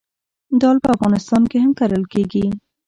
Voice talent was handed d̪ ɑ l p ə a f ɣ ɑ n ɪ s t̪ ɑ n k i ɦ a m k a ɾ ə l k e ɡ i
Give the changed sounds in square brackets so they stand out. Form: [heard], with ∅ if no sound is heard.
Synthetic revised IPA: d̪ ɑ l p ə a f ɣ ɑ n ɪ s t̪ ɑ n k [e] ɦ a m k a ɾ ə l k e ɡ i